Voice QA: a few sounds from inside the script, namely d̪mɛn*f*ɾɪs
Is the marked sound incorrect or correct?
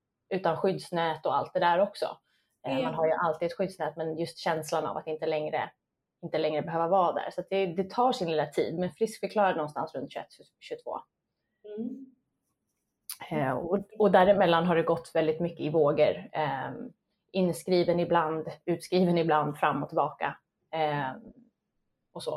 correct